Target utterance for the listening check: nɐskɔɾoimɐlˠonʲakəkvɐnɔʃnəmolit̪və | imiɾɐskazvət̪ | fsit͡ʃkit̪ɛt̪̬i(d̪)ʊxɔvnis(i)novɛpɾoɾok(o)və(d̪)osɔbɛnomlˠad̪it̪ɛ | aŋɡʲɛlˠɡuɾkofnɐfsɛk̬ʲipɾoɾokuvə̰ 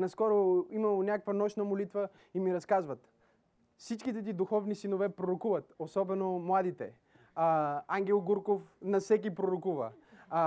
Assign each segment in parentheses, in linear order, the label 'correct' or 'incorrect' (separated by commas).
correct, correct, incorrect, incorrect